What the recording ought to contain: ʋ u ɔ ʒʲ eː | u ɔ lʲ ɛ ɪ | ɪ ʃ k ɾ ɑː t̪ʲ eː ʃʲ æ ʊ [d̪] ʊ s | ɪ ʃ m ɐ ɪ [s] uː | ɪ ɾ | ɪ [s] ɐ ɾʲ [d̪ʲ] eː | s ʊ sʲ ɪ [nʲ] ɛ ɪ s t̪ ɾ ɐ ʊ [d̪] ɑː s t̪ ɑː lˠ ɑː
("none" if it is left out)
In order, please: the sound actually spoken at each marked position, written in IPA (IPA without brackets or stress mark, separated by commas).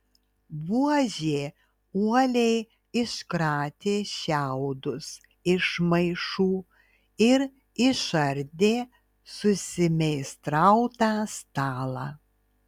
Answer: d̪, ʃ, ʃ, d̪ʲ, mʲ, t̪